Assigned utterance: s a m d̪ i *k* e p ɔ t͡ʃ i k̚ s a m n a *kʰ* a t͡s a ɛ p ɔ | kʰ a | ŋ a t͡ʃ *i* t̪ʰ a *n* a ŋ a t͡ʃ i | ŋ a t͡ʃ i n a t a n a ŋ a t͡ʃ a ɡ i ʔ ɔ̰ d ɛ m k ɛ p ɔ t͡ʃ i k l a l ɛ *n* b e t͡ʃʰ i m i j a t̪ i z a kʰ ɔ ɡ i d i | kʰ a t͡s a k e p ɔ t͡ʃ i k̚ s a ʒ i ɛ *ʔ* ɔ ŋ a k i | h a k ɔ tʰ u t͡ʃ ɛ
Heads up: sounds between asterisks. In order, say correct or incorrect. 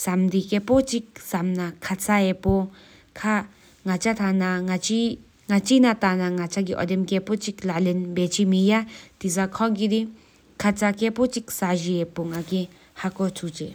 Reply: correct, correct, incorrect, correct, correct, incorrect

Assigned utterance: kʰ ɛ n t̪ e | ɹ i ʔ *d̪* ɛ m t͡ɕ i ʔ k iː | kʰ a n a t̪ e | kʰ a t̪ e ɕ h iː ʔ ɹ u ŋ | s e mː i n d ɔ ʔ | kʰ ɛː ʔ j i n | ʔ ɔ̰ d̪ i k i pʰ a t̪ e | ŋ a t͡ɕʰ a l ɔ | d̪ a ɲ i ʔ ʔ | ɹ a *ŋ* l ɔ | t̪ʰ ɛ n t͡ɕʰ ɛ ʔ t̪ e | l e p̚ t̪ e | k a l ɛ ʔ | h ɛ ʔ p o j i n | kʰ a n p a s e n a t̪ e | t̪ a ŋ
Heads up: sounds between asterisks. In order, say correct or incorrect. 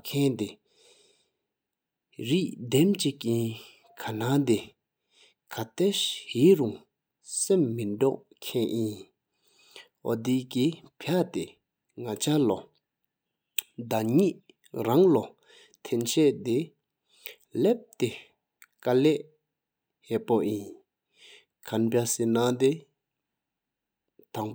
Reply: correct, correct

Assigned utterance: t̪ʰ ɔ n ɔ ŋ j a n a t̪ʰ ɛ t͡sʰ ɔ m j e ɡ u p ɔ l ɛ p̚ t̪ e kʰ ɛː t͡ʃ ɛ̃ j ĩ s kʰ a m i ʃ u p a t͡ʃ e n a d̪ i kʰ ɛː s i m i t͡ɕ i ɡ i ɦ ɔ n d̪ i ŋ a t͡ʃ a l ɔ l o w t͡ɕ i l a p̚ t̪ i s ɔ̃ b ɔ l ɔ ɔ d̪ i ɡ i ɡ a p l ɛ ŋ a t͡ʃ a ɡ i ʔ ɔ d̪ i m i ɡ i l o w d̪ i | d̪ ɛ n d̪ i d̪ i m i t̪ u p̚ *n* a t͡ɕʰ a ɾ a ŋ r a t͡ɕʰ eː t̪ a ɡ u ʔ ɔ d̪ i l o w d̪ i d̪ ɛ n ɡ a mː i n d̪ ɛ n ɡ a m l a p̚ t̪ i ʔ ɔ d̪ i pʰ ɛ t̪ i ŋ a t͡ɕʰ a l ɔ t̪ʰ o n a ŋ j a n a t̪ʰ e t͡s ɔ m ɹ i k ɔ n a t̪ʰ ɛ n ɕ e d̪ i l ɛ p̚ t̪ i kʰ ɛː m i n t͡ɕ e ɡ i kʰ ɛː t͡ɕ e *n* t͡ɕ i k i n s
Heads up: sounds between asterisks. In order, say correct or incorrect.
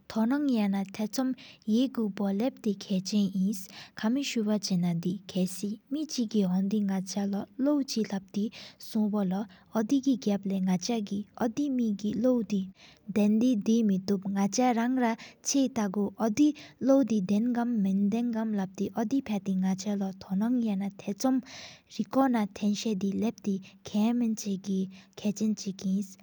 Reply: incorrect, correct

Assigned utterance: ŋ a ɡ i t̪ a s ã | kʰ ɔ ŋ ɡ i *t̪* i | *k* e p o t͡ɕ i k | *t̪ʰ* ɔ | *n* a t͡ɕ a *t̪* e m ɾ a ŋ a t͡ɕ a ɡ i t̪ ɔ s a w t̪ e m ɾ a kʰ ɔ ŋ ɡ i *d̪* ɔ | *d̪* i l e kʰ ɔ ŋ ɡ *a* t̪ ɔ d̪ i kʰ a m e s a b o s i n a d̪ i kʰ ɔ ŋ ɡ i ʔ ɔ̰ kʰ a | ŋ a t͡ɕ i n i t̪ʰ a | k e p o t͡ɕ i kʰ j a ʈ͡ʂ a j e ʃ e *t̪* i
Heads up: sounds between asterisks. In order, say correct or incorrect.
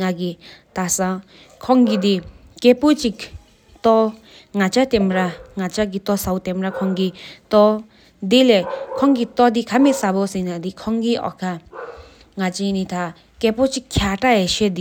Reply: incorrect, correct, incorrect, incorrect, correct, incorrect, correct, incorrect, incorrect

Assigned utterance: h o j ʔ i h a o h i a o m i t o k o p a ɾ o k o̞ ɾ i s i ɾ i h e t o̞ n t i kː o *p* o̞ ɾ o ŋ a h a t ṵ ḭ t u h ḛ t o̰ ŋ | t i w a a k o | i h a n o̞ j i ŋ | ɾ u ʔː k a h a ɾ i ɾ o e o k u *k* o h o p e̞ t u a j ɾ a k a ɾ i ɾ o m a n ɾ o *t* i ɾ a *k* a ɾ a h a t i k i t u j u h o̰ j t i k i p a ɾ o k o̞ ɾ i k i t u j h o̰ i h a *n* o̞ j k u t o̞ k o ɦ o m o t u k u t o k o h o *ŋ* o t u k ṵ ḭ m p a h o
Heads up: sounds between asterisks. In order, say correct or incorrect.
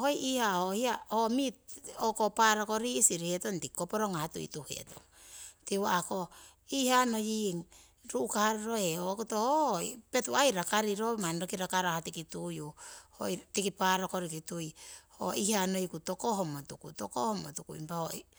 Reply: correct, incorrect, incorrect, correct, correct, incorrect

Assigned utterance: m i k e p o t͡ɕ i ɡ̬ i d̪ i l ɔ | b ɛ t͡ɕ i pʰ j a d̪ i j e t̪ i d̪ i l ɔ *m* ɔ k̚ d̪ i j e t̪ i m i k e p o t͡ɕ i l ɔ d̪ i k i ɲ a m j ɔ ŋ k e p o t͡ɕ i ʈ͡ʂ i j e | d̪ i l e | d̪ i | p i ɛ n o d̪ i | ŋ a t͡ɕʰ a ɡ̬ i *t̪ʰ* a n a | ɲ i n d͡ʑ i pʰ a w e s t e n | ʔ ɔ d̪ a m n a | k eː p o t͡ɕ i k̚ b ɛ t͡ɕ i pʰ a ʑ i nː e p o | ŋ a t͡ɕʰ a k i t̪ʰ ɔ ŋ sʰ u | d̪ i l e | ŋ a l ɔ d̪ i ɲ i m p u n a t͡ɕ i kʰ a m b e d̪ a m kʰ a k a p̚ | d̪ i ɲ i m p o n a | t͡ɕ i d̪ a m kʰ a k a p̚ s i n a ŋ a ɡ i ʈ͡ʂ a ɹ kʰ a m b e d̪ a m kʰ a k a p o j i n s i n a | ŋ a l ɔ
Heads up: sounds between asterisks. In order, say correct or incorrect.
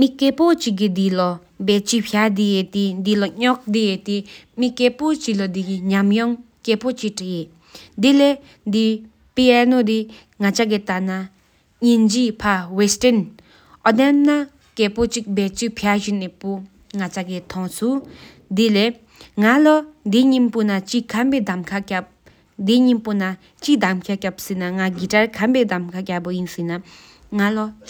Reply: incorrect, incorrect

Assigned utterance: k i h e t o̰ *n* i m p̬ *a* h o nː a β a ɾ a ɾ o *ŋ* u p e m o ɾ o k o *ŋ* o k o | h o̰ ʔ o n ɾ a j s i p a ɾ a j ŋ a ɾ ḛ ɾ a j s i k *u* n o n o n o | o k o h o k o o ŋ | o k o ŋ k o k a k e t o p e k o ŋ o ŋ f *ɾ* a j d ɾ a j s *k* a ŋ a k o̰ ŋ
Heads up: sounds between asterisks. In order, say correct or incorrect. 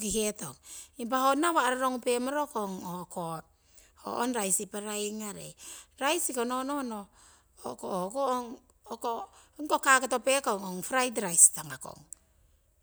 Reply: incorrect, correct, correct, correct, incorrect, correct, incorrect

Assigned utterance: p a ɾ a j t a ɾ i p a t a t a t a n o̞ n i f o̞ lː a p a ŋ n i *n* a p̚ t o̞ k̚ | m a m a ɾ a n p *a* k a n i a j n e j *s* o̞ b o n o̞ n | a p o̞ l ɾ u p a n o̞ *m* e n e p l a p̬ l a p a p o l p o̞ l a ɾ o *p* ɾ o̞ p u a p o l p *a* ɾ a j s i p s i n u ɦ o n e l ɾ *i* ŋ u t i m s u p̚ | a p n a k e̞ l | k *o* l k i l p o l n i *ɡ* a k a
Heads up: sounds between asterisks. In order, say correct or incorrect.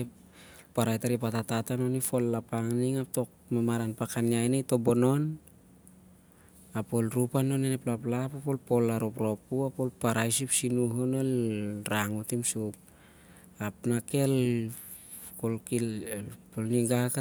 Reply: incorrect, correct, incorrect, incorrect, correct, correct, incorrect, correct, correct

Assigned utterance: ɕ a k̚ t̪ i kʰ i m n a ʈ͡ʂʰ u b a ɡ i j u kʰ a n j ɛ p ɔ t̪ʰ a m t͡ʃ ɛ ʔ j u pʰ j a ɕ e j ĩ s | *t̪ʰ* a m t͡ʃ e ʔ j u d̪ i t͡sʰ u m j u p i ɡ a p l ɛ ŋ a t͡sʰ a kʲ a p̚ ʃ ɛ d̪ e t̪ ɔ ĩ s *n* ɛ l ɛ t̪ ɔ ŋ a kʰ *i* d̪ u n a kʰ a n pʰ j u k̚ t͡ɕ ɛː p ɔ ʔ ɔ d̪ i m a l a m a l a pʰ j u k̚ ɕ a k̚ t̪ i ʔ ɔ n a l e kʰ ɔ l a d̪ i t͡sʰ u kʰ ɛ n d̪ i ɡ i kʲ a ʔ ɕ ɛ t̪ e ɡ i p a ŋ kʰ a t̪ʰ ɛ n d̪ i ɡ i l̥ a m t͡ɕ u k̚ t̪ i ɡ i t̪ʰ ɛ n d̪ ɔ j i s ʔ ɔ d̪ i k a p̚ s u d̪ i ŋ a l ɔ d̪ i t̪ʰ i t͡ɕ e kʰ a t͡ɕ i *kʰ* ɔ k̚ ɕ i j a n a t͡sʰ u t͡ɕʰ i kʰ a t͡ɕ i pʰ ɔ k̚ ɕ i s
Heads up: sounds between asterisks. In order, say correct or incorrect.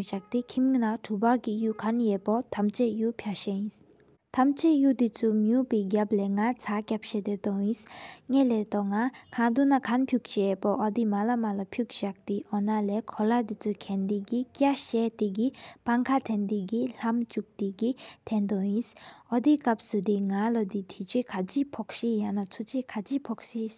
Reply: correct, incorrect, incorrect, incorrect

